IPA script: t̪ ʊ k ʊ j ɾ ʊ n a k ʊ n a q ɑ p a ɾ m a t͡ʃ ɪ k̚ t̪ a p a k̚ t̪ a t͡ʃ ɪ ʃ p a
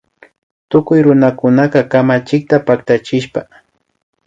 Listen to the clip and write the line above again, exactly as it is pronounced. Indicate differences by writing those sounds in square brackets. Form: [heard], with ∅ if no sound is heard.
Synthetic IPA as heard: t̪ ʊ k ʊ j ɾ ʊ n a k ʊ n a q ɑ [k] a [∅] m a t͡ʃ ɪ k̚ t̪ a p a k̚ t̪ a t͡ʃ ɪ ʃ p a